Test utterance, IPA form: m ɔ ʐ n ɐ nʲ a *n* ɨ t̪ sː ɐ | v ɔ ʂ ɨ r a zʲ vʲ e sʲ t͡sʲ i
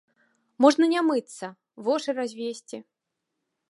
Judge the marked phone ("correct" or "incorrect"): incorrect